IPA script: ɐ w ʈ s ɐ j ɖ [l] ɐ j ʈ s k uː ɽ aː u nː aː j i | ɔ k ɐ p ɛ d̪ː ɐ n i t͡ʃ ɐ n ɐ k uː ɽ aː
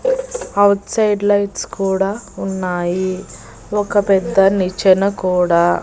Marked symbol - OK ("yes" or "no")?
yes